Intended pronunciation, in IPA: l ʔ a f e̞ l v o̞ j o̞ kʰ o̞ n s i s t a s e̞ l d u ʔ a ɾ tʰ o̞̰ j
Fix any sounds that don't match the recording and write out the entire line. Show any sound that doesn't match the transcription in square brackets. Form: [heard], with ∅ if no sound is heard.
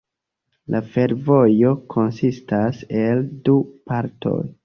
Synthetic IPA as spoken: l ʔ a f e̞ [ɾ] v o̞ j o̞ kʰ o̞ n s i s t a s e̞ l d u [p] a ɾ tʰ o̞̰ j